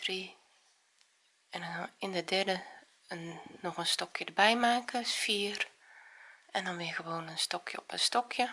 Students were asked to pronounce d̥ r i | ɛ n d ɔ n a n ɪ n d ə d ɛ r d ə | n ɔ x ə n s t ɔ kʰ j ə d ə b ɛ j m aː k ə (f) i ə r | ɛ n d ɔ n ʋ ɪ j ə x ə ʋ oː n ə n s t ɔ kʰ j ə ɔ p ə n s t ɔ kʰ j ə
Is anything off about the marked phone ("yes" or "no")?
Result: no